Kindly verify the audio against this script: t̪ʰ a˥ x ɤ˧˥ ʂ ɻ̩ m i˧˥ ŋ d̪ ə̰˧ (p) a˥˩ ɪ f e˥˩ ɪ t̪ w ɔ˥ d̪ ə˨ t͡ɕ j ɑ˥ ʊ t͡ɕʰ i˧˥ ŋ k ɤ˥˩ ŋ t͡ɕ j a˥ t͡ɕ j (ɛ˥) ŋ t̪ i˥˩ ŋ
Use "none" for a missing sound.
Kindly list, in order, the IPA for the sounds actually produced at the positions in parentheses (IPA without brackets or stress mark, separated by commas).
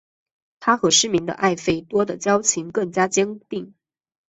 ʔ, ɛ˥